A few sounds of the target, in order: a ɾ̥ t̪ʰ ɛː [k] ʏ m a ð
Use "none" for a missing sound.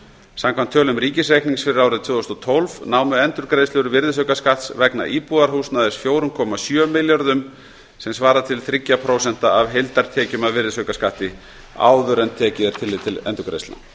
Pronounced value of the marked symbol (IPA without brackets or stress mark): c